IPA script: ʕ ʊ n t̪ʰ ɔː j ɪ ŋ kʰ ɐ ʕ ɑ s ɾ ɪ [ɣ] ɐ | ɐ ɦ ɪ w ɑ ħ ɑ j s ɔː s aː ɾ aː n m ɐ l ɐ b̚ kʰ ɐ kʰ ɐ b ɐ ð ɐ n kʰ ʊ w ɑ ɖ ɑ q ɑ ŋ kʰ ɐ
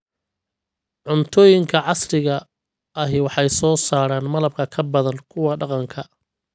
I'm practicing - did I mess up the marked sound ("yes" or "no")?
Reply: no